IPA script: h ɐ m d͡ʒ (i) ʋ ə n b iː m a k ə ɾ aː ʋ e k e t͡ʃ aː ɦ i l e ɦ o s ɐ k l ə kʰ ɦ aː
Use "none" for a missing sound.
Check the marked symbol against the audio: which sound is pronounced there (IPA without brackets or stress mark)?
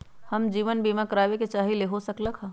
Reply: iː